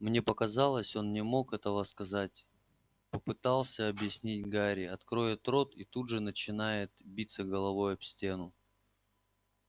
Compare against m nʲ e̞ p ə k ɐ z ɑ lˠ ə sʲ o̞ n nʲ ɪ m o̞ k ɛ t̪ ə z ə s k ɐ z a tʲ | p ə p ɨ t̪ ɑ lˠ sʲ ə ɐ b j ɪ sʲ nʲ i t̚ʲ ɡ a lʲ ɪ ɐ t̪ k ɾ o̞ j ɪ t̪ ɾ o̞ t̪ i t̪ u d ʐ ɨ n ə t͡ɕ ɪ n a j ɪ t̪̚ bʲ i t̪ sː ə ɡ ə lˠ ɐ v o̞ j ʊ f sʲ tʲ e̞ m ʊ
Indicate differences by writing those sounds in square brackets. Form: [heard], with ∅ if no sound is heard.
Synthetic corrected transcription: m nʲ e̞ p ə k ɐ z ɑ lˠ ə sʲ o̞ n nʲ ɪ m o̞ k ɛ t̪ ə [v] ə s k ɐ z a tʲ | p ə p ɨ t̪ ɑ lˠ sʲ ə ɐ b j ɪ sʲ nʲ i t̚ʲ ɡ a [ɾʲ] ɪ ɐ t̪ k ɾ o̞ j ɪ t̪ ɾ o̞ t̪ i t̪ u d ʐ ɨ n ə t͡ɕ ɪ n a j ɪ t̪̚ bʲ i t̪ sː ə ɡ ə lˠ ɐ v o̞ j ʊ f sʲ tʲ e̞ [n] ʊ